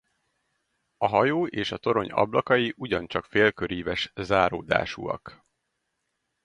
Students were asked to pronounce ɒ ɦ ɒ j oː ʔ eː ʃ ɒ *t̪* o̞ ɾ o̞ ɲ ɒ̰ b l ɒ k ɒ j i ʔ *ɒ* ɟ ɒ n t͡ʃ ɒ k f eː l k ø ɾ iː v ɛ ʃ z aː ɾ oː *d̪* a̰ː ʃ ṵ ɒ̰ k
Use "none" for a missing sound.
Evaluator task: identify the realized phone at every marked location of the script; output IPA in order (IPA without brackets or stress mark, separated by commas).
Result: t̪, u, d̪